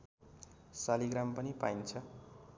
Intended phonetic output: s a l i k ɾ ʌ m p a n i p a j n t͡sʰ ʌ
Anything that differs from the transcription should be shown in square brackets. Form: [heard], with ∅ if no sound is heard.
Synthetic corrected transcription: s a l i [ɡ] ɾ [a] m p [ʌ] n i p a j n t͡sʰ ʌ